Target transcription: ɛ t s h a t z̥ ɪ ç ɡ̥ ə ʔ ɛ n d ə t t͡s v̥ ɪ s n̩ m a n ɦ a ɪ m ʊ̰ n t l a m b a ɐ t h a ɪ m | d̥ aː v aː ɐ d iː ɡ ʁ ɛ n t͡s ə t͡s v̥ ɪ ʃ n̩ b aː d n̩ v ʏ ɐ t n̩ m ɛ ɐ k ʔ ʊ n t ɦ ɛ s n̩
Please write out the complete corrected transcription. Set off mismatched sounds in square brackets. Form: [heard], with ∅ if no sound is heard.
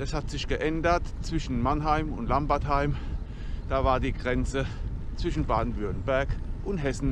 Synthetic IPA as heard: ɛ [∅] s h a t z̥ ɪ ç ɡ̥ ə ʔ ɛ n d [ɐ] t t͡s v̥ ɪ [ʃ] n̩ m a n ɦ a ɪ m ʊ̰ n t l a m b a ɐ t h a ɪ m | d̥ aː v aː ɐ d iː ɡ ʁ ɛ n t͡s ə t͡s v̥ ɪ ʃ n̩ b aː d n̩ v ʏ ɐ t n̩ [b] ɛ ɐ k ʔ ʊ n t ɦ ɛ s n̩